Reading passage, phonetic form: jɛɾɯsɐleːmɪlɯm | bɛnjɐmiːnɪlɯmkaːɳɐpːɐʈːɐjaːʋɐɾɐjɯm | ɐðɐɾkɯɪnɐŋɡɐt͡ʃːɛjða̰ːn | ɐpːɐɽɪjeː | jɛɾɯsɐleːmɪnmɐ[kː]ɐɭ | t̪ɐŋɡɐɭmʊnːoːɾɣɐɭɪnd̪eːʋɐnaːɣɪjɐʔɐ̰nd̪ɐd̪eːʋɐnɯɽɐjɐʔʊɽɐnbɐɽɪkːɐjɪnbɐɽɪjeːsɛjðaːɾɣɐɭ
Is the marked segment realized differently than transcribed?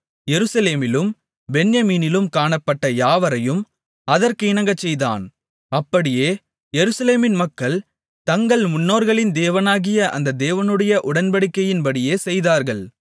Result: no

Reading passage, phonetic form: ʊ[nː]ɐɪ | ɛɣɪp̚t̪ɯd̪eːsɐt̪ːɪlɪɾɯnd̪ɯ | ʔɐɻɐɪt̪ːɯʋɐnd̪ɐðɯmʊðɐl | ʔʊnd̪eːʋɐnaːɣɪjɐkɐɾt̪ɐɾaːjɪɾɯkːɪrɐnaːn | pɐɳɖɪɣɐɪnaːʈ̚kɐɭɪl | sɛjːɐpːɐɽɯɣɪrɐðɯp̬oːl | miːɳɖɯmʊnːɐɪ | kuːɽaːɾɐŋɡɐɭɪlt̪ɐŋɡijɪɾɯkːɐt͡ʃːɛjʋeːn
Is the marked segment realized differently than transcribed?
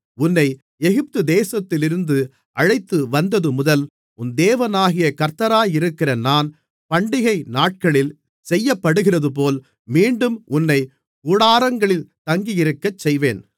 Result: no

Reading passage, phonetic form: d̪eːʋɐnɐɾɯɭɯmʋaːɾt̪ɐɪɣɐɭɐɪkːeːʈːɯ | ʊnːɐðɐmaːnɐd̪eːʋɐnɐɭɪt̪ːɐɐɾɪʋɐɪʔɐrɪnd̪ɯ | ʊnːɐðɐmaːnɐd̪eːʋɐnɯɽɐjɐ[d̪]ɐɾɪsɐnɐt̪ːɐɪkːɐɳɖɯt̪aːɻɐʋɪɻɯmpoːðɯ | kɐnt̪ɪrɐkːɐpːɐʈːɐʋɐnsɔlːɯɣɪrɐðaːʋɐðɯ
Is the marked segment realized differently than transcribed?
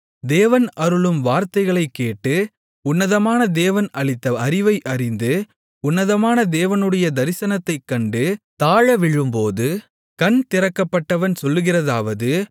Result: no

